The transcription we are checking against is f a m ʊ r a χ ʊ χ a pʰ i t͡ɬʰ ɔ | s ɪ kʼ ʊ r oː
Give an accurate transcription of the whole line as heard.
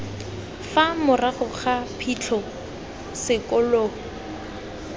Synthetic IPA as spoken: f a m ʊ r a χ ʊ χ a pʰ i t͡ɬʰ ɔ | s ɪ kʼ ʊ l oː